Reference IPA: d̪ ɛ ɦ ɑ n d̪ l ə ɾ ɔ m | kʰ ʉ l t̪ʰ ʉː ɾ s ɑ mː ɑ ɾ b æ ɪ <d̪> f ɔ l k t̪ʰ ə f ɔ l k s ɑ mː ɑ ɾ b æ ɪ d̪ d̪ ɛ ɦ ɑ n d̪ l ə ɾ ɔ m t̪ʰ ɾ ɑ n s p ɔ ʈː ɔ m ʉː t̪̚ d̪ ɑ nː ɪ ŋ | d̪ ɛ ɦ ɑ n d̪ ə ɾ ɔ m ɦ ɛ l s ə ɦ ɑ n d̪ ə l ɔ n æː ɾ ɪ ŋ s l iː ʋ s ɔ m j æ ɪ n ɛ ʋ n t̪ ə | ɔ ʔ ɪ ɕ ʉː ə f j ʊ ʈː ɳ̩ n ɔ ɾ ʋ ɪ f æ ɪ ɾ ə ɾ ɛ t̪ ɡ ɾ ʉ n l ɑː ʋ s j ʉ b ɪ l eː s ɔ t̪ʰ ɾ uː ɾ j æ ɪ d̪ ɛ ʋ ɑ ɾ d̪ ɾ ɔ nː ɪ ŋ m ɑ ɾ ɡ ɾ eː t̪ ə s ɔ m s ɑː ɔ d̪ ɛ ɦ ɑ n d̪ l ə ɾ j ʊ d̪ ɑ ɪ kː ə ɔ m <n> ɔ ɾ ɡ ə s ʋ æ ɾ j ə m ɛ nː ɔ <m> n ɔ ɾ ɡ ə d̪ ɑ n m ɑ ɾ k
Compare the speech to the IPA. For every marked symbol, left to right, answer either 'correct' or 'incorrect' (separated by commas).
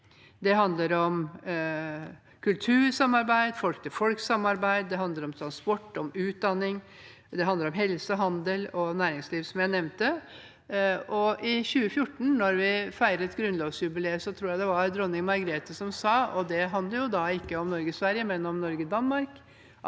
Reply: correct, correct, correct